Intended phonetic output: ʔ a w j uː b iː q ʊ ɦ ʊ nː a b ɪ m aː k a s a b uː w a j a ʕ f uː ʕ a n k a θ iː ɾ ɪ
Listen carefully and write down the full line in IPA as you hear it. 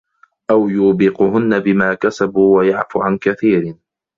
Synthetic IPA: ʔ a w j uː b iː q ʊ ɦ ʊ nː a b ɪ m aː k a s a b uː w a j a ʕ f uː ʕ a n k a θ iː ɾ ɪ